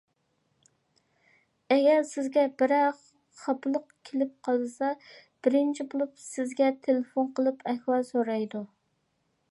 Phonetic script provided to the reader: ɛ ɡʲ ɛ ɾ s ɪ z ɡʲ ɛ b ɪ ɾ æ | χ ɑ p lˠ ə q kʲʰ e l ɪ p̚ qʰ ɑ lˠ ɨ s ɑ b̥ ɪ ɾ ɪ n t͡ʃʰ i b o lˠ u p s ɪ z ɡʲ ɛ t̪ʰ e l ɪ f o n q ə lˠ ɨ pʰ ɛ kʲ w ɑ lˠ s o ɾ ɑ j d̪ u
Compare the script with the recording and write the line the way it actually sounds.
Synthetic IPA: ɛ ɡʲ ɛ ɾ s ɪ z ɡʲ ɛ b ɪ ɾ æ | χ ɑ p lˠ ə q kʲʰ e l ɪ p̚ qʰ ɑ lˠ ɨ s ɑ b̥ ɪ ɾ ɪ n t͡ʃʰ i b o lˠ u p s ɪ z ɡʲ ɛ t̪ʰ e l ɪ f o n q ə lˠ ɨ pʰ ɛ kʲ w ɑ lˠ s o ɾ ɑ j d̪ u